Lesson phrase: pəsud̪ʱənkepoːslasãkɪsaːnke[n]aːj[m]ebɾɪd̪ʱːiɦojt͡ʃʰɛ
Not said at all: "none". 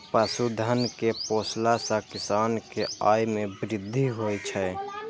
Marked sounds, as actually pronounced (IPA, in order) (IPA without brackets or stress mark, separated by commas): none, m